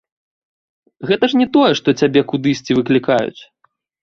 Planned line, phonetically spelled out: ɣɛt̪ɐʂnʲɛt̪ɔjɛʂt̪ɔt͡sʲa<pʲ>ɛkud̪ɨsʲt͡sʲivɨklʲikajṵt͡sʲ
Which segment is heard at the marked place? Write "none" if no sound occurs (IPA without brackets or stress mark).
bʲ